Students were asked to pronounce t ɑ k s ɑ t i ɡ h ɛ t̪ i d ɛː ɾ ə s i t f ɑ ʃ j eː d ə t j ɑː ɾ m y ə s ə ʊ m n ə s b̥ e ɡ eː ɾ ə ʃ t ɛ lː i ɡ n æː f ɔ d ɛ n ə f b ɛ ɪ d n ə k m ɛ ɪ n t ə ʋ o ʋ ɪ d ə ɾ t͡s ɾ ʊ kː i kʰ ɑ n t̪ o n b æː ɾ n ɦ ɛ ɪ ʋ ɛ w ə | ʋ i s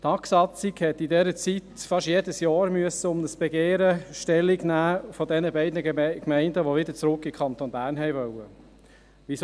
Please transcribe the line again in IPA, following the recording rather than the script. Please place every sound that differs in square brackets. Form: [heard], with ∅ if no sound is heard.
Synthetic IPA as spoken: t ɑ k s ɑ [t͡s] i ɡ h ɛ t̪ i d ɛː ɾ ə [t͡s] i t f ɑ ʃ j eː d ə [s] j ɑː ɾ m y ə s ə ʊ m n ə s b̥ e ɡ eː ɾ ə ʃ t ɛ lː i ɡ n æː f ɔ d ɛ n ə [∅] b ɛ ɪ d n ə k m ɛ ɪ n [d] ə ʋ o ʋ ɪ d ə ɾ t͡s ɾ ʊ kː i kʰ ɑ n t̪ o n b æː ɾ n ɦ ɛ ɪ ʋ [œ] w ə | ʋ i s